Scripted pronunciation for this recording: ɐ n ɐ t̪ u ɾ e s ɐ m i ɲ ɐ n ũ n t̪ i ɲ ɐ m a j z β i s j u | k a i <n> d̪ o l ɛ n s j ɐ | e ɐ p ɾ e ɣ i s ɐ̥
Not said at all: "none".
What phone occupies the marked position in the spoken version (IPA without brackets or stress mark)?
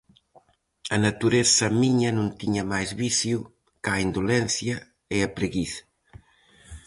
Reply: n